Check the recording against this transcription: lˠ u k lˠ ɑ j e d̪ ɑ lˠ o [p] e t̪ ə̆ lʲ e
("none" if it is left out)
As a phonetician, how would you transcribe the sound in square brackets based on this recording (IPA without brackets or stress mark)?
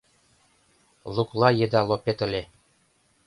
p